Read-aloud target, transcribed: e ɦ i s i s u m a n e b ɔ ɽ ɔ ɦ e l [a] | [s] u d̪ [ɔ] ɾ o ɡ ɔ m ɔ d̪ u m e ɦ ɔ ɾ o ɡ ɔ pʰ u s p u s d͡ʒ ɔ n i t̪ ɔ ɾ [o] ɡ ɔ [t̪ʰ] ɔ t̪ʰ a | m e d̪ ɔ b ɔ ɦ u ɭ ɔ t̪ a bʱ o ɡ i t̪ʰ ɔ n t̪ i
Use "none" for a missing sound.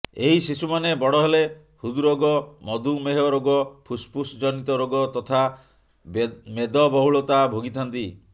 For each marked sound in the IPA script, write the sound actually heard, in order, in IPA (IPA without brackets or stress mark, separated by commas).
e, h, u, o, t̪